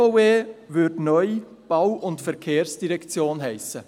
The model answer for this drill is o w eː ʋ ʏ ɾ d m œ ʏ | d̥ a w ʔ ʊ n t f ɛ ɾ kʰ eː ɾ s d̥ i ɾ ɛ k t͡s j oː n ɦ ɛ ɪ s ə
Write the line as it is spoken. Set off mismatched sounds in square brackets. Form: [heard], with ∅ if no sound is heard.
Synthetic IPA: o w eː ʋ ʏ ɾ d [n] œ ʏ | [b̥] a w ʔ ʊ n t f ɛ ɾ kʰ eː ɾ s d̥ i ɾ ɛ k t͡s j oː n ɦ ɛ ɪ s ə